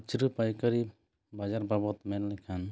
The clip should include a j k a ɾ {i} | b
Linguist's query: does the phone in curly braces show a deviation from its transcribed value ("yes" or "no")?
no